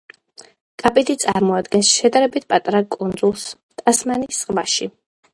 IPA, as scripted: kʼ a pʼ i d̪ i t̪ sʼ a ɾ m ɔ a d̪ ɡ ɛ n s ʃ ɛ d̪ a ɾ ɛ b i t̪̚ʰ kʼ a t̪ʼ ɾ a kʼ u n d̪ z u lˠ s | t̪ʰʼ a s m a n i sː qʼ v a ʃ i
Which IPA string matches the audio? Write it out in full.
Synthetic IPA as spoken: kʼ a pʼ i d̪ i t̪ sʼ a ɾ m ɔ a d̪ ɡ ɛ n s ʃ ɛ d̪ a ɾ ɛ b i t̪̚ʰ pʼ a t̪ʼ ɾ a kʼ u n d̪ z u lˠ s | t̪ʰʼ a s m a n i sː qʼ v a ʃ i